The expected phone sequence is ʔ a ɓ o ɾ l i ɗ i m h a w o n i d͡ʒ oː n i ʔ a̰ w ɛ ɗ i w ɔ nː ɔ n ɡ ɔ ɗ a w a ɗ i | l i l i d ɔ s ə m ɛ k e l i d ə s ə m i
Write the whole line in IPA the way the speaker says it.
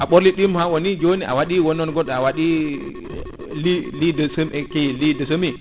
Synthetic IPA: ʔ a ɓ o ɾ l i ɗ i m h a w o n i d͡ʒ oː n i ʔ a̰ w a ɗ i w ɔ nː ɔ n ɡ ɔ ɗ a w a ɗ i | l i l i d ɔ s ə m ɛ k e l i d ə s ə m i